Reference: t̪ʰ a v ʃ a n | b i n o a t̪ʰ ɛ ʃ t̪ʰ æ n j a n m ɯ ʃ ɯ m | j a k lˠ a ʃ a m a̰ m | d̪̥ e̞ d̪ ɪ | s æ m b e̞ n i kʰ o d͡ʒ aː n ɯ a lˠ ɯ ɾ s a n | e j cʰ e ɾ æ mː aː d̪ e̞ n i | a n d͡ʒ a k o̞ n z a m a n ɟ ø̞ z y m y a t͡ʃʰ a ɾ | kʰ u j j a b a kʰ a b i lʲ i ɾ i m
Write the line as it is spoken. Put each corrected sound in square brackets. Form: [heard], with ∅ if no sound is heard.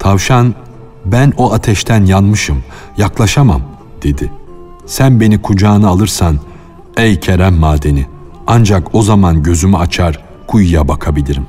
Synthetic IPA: t̪ʰ a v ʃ a n | b [æ] n o a t̪ʰ ɛ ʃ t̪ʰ æ n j a n m ɯ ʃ ɯ m | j a k lˠ a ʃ a m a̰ m | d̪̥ e̞ d̪ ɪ | s æ [n] b e̞ n i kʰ [u] d͡ʒ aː n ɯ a lˠ ɯ ɾ s a n | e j cʰ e ɾ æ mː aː d̪ e̞ n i | a n d͡ʒ a k o̞ [∅] z a m a n ɟ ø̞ z y m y a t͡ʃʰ a ɾ | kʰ u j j a b a kʰ a b i lʲ i ɾ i m